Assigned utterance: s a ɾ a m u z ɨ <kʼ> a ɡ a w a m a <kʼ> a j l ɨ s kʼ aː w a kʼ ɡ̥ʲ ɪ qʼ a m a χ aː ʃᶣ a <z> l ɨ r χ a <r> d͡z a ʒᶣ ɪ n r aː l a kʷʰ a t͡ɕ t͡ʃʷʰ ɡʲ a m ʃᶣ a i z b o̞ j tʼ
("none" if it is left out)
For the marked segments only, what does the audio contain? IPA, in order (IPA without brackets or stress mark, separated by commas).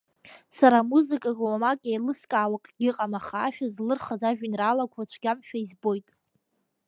kʼ, kʼ, z, none